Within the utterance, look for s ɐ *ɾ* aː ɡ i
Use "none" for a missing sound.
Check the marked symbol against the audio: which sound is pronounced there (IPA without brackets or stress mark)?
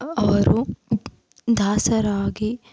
ɾ